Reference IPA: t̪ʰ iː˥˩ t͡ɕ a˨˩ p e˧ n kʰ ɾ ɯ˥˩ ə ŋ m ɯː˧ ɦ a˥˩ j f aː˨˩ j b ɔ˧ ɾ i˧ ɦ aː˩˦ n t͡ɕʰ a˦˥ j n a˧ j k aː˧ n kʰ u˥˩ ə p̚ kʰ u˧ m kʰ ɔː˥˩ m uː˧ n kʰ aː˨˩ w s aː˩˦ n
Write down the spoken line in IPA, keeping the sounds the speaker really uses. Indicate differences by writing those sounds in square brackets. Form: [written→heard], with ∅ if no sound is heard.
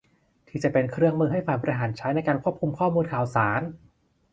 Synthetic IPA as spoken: t̪ʰ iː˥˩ t͡ɕ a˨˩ p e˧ n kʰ ɾ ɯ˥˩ ə ŋ m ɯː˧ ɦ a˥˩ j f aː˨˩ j b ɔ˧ ɾ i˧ ɦ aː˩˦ n t͡ɕʰ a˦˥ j n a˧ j k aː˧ n kʰ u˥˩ ə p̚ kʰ u˧ m kʰ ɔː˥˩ m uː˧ n kʰ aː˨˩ w s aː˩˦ n